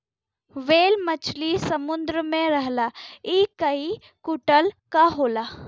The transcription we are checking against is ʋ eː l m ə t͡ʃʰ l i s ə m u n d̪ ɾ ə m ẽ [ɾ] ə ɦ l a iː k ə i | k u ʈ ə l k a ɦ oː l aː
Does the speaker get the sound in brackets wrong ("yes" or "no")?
no